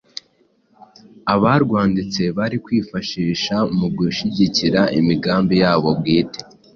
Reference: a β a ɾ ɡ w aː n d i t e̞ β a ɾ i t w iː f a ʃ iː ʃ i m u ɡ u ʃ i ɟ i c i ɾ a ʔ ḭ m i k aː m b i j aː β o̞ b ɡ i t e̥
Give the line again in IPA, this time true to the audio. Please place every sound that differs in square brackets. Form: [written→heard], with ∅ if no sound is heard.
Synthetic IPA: a β a ɾ ɡ w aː n d i [t→t͡s] e̞ β a ɾ i [t→k] w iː f a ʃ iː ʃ [i→a] m u ɡ u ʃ i ɟ i c i ɾ a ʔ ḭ m i [k→ɡ] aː m b i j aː β o̞ b ɡ [i→iː] t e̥